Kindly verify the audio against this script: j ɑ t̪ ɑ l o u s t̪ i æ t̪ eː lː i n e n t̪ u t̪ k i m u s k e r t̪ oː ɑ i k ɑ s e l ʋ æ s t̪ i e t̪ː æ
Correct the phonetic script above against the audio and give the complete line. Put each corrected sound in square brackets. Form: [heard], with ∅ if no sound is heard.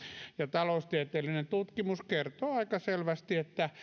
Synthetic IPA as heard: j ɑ t̪ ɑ l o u s t̪ i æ t̪ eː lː i n e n t̪ u t̪ k i m u s k e r t̪ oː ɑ i k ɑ s e l ʋ æ s t̪ i e t̪ː æ